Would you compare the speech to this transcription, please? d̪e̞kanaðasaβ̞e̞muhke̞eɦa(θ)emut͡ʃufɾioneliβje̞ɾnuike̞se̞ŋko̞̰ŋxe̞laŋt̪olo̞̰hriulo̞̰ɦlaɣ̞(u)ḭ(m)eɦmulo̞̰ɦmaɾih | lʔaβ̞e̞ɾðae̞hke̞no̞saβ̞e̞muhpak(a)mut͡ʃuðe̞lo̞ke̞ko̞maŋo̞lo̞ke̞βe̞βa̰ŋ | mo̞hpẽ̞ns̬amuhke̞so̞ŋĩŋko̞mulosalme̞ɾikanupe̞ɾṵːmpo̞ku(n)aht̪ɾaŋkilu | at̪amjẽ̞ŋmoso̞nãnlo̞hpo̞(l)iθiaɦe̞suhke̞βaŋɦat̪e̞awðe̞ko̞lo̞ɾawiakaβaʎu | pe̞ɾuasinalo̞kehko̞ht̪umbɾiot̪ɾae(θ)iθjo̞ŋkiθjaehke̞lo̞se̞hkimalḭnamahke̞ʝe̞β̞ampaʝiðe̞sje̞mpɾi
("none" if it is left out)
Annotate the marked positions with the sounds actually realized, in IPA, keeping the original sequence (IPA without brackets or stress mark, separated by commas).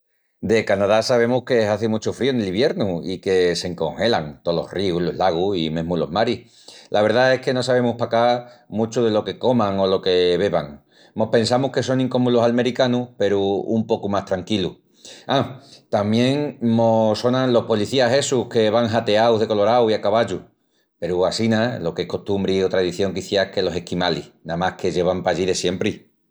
θ, u, m, a, m, l, ð